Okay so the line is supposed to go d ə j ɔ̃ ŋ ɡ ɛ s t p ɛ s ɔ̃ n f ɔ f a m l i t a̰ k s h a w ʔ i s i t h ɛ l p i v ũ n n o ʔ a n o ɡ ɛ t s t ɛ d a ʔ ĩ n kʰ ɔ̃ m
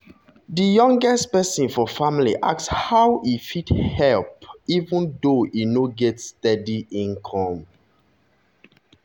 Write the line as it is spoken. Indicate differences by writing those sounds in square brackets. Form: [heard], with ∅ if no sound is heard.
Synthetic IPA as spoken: d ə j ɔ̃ ŋ ɡ ɛ s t p ɛ s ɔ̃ n f ɔ f a m l i [ʔ] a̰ k s h a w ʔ i [f] i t h ɛ l p i v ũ n [d] o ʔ [i] n o ɡ ɛ t s t ɛ d [i] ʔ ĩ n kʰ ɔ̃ m